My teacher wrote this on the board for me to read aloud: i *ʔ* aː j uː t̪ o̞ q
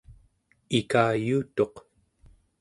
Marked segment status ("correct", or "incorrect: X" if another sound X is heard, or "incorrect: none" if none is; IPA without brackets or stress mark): incorrect: k